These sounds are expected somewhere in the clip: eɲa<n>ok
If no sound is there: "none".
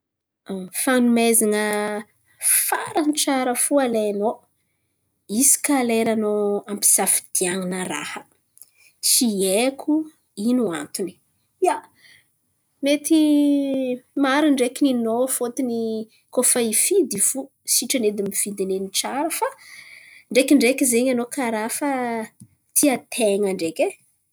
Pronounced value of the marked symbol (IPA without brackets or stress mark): n